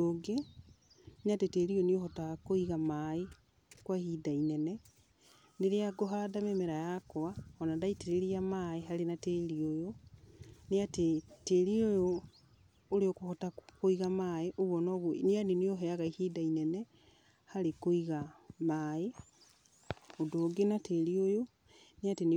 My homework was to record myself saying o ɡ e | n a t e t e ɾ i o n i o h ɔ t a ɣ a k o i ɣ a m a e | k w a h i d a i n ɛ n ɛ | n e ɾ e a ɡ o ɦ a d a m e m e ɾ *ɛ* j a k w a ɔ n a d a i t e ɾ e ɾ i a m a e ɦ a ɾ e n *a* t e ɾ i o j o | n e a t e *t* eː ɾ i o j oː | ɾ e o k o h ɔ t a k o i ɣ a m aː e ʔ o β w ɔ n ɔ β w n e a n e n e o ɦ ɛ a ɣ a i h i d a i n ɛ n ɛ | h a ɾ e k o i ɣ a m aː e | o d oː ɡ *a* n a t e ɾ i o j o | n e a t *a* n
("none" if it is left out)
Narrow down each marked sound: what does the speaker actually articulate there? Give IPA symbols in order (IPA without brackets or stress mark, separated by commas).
a, a, t, e, e